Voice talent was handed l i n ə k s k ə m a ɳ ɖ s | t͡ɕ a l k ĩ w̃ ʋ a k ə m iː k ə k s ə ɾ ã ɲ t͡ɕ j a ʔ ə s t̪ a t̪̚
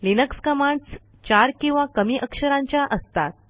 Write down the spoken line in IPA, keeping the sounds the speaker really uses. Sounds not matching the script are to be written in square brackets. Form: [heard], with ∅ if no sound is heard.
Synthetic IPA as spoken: l i n ə k s k ə m a ɳ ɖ s | t͡ɕ a [ɾ] k ĩ w̃ ʋ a k ə m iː [ʔ] ə k [ʂ] ə ɾ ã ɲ t͡ɕ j a ʔ ə s t̪ a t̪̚